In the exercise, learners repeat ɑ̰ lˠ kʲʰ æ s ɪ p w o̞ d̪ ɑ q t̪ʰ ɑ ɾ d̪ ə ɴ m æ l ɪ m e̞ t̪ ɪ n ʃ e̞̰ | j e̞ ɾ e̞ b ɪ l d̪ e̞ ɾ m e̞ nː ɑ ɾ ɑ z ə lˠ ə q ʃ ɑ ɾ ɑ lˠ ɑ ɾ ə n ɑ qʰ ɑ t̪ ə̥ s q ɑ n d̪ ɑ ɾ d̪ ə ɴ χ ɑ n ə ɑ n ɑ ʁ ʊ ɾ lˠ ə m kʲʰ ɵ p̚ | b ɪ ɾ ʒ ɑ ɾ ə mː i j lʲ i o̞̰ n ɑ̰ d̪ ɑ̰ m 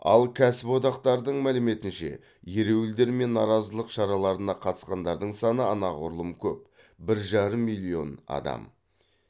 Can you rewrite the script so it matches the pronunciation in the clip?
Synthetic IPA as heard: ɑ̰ lˠ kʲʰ æ s ɪ p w o̞ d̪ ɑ q t̪ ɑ ɾ d̪ ə ɴ m æ l ɪ m e̞ t̪ ɪ n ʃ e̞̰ | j e̞ ɾ e̞ w ɪ l d̪ e̞ ɾ m e̞ nː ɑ ɾ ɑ z ə lˠ ə q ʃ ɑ ɾ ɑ lˠ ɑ ɾ ə n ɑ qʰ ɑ t̪ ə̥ s q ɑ n d̪ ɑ ɾ d̪ ə ɴ s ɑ n ə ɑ n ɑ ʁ ʊ ɾ lˠ ə m kʲʰ ɵ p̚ | b ɪ ɾ ʒ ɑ ɾ ə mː i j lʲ i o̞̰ n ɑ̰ d̪ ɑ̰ m